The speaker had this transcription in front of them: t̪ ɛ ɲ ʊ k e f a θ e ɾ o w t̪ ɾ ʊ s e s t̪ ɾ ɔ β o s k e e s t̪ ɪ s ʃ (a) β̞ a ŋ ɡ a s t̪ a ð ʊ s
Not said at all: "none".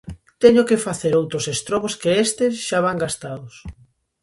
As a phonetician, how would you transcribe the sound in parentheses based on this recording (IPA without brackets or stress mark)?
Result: a